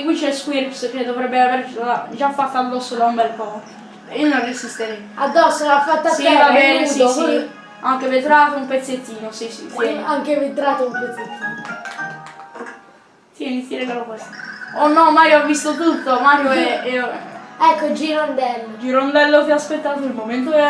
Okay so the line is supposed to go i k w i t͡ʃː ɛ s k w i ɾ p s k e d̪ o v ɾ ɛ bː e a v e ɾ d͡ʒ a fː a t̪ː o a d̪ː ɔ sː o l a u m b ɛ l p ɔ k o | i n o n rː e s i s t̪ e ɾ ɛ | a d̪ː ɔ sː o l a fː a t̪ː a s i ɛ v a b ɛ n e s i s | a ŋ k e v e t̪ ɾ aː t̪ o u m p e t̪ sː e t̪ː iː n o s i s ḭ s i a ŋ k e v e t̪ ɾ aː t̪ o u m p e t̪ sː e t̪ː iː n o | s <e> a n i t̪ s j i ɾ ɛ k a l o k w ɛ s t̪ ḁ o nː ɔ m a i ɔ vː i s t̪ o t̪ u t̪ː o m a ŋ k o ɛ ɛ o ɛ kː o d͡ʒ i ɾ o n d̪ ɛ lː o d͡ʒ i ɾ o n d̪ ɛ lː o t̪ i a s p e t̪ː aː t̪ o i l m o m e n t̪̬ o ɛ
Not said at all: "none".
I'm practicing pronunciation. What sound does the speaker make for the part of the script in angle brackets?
i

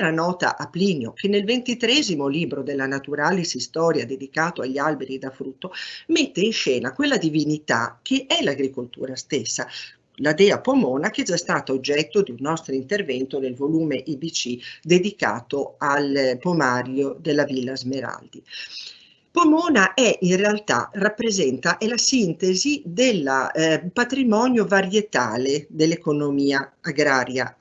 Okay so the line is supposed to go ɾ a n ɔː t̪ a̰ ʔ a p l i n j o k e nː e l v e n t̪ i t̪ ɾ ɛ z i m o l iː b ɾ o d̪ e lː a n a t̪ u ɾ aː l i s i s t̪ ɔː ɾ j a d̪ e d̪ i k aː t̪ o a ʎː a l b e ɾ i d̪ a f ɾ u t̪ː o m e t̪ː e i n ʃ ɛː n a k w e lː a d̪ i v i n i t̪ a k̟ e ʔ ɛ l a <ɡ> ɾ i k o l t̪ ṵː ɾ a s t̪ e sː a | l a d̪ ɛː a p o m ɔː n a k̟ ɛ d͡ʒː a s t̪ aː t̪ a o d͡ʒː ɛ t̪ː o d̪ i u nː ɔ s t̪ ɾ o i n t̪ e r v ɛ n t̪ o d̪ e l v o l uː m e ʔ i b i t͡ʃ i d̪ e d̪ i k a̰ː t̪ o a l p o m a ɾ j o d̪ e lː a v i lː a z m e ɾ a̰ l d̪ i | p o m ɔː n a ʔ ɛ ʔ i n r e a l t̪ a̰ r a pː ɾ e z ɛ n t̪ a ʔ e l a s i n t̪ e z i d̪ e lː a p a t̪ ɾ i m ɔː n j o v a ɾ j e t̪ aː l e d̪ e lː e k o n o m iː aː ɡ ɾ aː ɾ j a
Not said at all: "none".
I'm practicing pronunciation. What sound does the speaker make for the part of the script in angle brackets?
ɡ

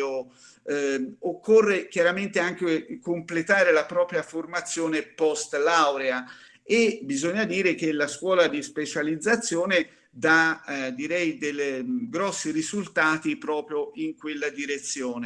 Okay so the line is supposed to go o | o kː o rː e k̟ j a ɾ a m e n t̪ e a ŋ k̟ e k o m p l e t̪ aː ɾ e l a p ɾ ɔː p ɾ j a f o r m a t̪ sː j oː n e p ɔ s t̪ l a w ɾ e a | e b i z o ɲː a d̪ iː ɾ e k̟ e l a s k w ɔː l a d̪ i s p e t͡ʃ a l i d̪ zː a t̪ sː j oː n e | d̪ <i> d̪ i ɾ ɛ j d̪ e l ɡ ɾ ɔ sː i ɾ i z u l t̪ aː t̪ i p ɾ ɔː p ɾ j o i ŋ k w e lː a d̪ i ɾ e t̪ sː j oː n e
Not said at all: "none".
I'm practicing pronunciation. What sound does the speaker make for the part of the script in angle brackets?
a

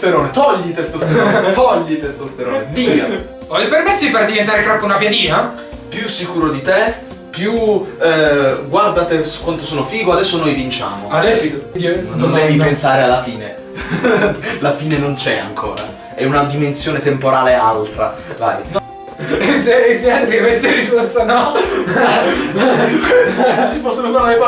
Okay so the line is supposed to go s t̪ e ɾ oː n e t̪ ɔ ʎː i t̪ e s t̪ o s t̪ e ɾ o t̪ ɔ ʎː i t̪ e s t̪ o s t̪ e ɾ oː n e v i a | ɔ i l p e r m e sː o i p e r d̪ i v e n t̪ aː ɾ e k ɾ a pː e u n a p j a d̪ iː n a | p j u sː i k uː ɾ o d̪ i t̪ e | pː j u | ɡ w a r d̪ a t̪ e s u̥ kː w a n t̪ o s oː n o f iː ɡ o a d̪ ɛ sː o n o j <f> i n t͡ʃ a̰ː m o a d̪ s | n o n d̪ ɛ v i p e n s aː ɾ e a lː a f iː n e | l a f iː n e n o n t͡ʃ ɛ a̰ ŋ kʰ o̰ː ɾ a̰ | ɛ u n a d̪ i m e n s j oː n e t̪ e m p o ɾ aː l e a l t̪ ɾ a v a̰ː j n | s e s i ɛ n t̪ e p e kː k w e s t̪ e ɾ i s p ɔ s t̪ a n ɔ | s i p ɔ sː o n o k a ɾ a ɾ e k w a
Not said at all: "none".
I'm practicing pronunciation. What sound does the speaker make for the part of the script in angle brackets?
v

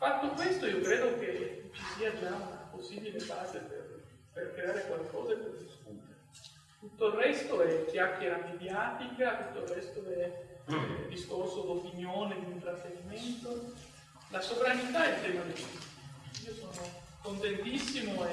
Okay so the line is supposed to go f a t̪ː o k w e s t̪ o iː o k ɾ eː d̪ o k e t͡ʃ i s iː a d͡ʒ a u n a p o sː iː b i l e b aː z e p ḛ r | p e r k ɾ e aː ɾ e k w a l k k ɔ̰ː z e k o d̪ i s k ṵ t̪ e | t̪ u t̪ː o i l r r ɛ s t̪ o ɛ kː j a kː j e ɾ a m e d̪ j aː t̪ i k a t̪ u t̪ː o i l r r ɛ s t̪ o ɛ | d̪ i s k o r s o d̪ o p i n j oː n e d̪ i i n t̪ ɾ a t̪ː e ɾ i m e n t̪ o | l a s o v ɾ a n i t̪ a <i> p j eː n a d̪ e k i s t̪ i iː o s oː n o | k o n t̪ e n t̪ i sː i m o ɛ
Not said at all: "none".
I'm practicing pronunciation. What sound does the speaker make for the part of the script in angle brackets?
ɛ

